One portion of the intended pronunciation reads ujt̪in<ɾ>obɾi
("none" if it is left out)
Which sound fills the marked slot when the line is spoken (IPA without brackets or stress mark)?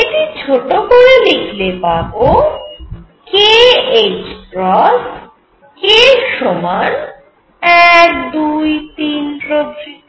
ɾ